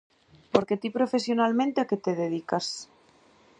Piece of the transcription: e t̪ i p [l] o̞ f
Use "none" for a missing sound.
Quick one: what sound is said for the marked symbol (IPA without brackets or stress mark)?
ɾ